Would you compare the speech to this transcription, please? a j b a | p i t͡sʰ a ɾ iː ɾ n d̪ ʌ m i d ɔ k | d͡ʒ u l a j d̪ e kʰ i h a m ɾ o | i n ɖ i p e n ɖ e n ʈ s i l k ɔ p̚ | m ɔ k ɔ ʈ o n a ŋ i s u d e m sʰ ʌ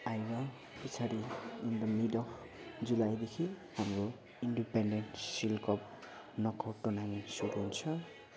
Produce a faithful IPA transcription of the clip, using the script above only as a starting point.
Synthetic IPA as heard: a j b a | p i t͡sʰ a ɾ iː n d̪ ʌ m i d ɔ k | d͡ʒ u l a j d̪ e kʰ i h a m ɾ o | i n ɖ i p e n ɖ e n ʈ s i l k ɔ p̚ | n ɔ k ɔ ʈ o n a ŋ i s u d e n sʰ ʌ

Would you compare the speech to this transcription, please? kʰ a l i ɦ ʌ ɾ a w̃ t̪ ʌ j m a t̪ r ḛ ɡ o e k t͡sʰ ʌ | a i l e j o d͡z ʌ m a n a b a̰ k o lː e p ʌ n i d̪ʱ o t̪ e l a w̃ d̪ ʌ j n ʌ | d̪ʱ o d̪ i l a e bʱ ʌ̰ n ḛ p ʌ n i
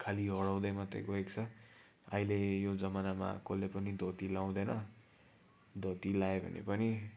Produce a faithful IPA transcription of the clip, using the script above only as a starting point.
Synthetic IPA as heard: kʰ a l i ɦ ʌ ɽ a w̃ d̪ ʌ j m a t̪ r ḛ ɡ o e k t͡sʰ ʌ | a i l e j o d͡z ʌ m a n a m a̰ k o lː e p ʌ n i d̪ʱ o t̪ i l a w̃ d̪ ʌ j n ʌ | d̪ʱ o t̪ i l a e bʱ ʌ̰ n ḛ p ʌ n i

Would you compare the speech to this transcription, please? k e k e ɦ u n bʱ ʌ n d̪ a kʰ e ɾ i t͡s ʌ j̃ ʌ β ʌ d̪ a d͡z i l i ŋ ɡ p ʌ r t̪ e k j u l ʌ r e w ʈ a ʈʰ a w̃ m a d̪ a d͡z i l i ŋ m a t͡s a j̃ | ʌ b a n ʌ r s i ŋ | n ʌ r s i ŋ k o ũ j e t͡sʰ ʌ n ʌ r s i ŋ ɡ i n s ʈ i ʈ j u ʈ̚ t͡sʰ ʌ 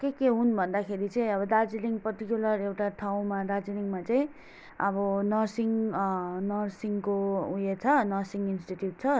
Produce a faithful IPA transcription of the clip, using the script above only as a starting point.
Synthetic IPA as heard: k e k e ɦ u n bʱ ʌ n d̪ a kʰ e ɾ i t͡s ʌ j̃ ʌ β ʌ d̪ a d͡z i l i ŋ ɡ p ʌ r t̪ i k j u l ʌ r e w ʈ a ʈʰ a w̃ m a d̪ a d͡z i l i ŋ m a t͡s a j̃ | ʌ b ʌ n ʌ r s i ŋ | n ʌ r s i ŋ k o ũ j e t͡sʰ ʌ n ʌ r s i ŋ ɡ i n s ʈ i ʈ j u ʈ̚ t͡sʰ ʌ

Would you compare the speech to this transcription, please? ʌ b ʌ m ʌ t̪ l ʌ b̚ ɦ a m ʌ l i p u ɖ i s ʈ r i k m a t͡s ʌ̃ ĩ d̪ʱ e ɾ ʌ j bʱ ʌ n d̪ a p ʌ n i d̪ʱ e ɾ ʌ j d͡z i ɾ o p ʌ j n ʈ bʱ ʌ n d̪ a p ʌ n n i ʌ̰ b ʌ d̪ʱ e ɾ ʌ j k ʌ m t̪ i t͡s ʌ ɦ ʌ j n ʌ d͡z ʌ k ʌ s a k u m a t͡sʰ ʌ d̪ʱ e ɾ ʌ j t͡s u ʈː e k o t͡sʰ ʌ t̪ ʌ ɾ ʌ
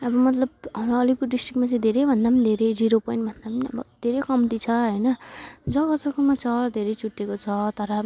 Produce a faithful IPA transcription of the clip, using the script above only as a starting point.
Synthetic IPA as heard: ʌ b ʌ m ʌ t̪ l ʌ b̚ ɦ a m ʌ l i p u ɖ i s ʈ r i k m a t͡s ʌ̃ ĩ d̪ʱ e ɾ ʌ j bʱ ʌ n d̪ a p ʌ n i d̪ʱ e ɾ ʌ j d͡z i ɾ o p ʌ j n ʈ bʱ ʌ n d̪ a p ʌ n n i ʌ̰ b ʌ d̪ʱ e ɾ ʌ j k ʌ m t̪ i t͡sʰ ʌ ɦ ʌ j n ʌ d͡z ʌ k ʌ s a k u m a t͡sʰ ʌ d̪ʱ e ɾ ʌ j t͡s u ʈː e k o t͡sʰ ʌ t̪ ʌ ɾ ʌ

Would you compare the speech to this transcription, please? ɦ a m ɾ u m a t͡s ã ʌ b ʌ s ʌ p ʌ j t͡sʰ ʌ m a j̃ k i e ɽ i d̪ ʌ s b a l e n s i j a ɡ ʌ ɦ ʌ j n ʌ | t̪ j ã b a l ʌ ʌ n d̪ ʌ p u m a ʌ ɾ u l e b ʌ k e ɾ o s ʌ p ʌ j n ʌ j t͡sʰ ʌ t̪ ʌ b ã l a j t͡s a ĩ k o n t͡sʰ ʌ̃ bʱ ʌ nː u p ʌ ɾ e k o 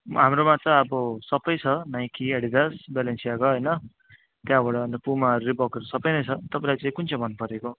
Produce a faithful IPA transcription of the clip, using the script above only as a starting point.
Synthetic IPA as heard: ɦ a m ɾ o m a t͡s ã ʌ b ʌ s ʌ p ʌ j t͡sʰ ʌ n a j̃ k i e ɽ i d̪ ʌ s b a l e n s i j a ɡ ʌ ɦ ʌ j n ʌ | t̪ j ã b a ɽ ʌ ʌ n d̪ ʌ p u m a ʌ ɾ u l e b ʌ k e ɾ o s ʌ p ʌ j n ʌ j t͡sʰ ʌ t̪ ʌ p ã l a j t͡s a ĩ k u n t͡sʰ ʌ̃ bʱ ʌ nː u p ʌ ɾ e k o

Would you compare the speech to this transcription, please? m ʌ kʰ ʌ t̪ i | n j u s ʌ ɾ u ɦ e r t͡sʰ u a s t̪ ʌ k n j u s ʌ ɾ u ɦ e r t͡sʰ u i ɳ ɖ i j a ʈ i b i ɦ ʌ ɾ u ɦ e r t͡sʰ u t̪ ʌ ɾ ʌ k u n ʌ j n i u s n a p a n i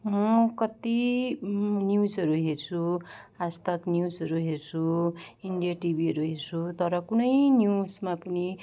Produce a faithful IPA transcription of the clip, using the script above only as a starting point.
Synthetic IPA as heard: m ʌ k ʌ t̪ i | n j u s ʌ ɾ u ɦ e r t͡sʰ u a s t̪ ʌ k n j u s ʌ ɾ u ɦ e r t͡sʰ u i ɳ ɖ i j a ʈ i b i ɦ ʌ ɾ u ɦ e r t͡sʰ u t̪ ʌ ɾ ʌ k u n ʌ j n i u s m a p ʌ n i

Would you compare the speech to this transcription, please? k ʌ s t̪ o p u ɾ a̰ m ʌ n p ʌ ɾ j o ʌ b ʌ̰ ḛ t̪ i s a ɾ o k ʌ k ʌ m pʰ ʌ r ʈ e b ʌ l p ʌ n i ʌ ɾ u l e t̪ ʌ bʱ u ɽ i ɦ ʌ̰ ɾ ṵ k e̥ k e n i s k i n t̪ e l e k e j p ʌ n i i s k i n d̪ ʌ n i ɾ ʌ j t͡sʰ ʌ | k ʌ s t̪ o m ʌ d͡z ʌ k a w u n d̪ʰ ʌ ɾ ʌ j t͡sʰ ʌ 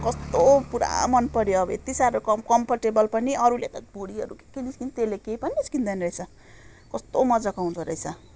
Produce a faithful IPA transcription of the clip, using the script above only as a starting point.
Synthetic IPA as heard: k ʌ s t̪ o p u ɾ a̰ m ʌ n p ʌ ɾ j o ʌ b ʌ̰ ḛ t̪ i s a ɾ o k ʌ k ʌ m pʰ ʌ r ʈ e b ʌ l p ʌ n i ʌ ɾ u l e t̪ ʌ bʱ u ɽ i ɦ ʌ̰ ɾ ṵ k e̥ k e n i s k i n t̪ e l e k e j p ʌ n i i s k i n d̪ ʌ n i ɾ ʌ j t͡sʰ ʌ | k ʌ s t̪ o m ʌ d͡z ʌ k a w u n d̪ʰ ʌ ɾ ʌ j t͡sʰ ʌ

